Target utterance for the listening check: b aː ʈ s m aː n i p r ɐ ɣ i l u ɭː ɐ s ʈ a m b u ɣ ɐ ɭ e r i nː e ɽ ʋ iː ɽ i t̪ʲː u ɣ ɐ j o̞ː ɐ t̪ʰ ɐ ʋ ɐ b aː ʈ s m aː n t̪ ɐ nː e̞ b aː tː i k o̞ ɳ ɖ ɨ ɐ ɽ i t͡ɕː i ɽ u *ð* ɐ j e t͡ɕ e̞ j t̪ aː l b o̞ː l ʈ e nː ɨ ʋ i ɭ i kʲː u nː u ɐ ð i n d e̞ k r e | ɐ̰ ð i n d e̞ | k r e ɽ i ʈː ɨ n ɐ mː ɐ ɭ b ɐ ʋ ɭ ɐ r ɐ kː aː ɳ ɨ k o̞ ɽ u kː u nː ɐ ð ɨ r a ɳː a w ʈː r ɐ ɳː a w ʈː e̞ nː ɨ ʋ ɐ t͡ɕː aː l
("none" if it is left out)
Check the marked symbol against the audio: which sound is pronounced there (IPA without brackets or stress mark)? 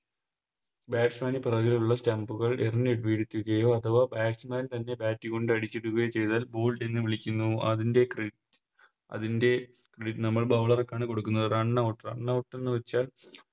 ɣ